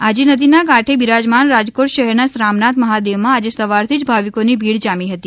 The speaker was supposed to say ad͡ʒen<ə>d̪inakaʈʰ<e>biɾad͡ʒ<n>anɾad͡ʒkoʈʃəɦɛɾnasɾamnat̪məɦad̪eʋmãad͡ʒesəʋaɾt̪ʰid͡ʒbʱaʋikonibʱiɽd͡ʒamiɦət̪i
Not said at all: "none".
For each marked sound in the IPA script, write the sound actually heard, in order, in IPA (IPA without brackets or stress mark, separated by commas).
ə, e, m